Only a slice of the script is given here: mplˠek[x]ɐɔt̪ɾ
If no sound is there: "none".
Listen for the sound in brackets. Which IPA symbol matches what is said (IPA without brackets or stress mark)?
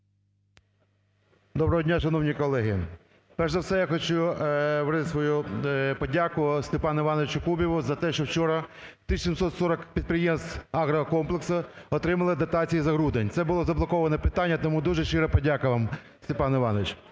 s